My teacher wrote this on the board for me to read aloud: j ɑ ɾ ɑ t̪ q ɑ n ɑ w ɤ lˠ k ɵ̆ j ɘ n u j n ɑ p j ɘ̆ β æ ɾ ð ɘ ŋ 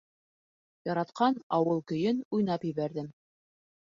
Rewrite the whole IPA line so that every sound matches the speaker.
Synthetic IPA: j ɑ ɾ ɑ t̪ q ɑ n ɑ w ɤ lˠ k ɵ̆ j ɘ n u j n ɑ p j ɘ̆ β æ ɾ ð ɘ m